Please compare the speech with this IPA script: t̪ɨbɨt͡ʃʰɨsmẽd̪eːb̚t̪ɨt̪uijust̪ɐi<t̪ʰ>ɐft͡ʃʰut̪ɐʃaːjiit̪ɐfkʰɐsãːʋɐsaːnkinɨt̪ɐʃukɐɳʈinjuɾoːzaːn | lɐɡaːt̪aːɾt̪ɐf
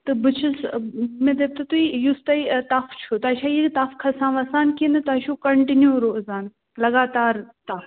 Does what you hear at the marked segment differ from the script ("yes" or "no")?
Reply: yes